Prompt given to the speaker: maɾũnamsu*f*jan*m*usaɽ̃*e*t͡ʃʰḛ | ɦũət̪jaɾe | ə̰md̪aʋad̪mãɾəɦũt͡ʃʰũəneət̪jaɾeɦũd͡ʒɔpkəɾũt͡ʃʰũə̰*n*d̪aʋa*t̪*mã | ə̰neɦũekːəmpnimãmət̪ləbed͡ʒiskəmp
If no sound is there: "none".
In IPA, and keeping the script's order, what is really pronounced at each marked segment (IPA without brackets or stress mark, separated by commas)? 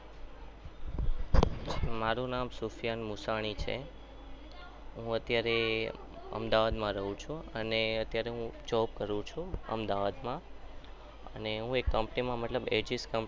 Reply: f, m, i, m, d̪